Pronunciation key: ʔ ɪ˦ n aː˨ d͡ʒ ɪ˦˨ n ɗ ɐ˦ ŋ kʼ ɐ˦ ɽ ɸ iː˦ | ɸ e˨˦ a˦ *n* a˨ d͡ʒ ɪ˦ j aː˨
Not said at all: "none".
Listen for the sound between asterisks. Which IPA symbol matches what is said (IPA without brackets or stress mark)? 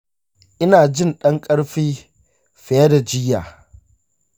d